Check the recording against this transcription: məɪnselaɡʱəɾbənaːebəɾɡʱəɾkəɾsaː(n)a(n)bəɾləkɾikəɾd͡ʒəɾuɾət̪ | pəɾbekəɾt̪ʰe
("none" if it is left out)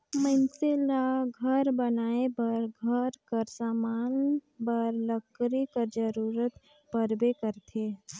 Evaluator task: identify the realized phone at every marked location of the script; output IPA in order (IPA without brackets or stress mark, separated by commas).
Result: m, n